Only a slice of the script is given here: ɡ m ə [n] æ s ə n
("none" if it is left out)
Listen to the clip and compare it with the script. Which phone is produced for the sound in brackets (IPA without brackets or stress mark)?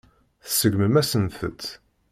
m